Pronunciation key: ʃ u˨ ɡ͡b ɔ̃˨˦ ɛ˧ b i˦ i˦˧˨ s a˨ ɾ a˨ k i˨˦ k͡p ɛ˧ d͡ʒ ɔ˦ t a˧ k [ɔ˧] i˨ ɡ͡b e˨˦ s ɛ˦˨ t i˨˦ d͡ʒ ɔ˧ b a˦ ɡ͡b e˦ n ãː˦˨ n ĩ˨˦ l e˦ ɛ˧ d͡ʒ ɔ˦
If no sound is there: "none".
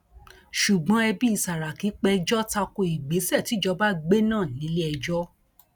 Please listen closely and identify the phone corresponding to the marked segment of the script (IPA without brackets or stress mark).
o˧